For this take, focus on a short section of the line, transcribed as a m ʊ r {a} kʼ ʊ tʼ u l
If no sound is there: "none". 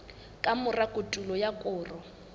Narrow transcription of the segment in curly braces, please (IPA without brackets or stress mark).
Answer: a